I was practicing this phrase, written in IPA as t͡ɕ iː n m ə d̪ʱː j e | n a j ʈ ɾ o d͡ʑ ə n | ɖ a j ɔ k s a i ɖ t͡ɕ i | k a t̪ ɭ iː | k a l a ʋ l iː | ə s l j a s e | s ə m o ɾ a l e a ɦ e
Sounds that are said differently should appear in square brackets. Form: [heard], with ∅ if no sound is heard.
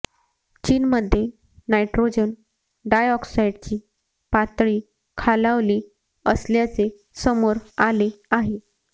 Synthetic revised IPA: t͡ɕ iː n m ə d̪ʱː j e | n a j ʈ ɾ o d͡ʑ ə n | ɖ a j ɔ k s a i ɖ t͡ɕ [iː] | [p] a t̪ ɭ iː | [kʰ] a l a ʋ l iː | ə s l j a [t͡s] e | s ə m o ɾ a l e a ɦ e

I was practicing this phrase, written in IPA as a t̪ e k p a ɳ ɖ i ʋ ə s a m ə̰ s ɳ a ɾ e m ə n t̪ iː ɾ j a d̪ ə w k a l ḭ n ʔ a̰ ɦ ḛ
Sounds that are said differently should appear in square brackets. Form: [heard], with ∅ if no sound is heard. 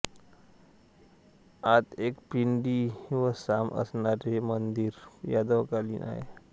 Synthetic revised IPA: a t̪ e k p [i] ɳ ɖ i ʋ ə s a m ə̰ s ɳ a ɾ e m ə n [d̪] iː ɾ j a d̪ ə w k a l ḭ n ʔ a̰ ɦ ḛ

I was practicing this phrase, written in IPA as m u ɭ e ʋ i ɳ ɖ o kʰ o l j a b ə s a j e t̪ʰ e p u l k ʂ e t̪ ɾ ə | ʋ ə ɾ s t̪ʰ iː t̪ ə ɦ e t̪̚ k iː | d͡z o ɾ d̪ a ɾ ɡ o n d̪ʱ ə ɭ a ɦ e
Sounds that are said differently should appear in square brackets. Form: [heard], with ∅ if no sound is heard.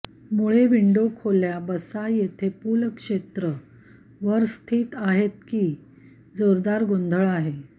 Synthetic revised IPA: m u ɭ e ʋ i ɳ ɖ o kʰ o l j a b ə s a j e t̪ʰ e p u l k ʂ e t̪ ɾ ə | ʋ ə ɾ s t̪ʰ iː t̪ [a] ɦ e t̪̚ k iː | d͡z o ɾ d̪ a ɾ ɡ o n d̪ʱ ə ɭ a ɦ e

